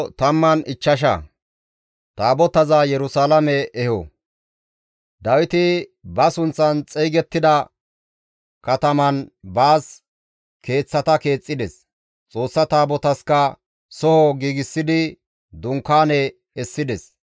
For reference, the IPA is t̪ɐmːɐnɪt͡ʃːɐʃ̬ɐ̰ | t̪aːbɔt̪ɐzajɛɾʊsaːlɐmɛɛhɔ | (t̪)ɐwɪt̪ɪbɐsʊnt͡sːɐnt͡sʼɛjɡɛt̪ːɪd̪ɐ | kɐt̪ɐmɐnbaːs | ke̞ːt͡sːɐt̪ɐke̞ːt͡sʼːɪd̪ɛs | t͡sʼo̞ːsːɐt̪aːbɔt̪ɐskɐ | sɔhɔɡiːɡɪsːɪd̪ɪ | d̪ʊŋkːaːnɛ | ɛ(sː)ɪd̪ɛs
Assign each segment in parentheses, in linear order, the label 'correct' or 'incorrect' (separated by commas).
incorrect, correct